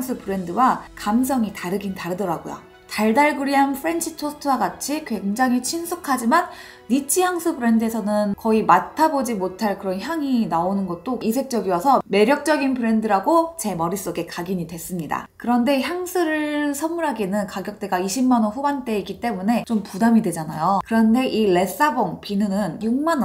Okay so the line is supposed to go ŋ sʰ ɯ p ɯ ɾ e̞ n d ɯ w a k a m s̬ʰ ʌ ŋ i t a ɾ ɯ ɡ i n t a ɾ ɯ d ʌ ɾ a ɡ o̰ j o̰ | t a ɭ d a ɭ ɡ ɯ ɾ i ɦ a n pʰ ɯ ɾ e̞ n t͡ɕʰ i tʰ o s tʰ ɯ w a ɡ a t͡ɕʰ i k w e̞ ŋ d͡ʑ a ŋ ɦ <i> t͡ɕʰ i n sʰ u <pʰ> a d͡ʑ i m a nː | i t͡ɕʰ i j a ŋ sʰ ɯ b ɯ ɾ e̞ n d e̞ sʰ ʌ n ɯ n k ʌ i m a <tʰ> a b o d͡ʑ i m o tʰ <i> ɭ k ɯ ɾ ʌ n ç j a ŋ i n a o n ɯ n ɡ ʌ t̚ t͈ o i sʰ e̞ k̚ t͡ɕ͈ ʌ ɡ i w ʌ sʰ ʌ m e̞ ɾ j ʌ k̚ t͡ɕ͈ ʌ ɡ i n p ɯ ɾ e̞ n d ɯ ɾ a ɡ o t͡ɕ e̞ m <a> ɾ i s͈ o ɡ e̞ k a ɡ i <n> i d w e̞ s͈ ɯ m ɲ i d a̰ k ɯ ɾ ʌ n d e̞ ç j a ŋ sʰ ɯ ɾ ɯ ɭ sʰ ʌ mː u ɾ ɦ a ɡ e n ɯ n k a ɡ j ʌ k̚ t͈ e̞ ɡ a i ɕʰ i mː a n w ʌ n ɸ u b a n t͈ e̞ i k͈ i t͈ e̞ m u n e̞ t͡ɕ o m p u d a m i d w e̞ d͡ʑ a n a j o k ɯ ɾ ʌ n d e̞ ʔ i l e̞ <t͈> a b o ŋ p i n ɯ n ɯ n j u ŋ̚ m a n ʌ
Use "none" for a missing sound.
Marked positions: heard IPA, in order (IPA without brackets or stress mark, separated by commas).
i, kʰ, tʰ, a, ʌ, ɲ, s͈